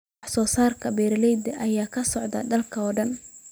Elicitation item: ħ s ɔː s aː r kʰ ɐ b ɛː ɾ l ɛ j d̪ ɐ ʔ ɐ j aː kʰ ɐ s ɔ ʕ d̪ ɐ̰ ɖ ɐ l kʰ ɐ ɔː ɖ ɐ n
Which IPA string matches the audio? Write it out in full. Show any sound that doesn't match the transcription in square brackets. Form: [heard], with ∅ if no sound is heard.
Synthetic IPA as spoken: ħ s ɔː s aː r kʰ ɐ b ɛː ɾ l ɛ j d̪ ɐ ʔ ɐ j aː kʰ ɐ s ɔ ʕ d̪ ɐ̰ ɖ ɐ l kʰ ɐ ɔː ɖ ɐ n